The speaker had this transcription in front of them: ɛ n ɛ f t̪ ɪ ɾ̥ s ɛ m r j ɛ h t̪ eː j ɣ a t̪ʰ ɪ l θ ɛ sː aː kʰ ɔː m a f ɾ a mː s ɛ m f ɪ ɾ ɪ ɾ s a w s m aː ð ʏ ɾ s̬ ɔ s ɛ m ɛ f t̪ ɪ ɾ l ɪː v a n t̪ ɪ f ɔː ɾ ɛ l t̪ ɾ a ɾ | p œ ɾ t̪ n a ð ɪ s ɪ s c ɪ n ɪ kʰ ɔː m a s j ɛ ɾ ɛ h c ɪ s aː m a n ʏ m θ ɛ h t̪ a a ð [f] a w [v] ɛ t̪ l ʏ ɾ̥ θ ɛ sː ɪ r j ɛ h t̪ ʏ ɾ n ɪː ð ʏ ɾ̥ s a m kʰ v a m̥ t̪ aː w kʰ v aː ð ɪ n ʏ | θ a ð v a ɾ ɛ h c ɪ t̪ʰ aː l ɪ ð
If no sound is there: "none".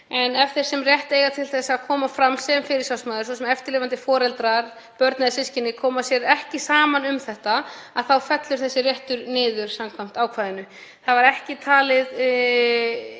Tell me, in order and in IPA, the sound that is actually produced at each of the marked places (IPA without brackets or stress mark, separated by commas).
θ, f